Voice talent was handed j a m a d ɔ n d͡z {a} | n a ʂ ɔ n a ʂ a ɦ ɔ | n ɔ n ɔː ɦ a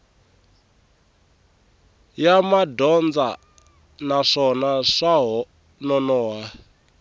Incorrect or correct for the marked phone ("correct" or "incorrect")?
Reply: correct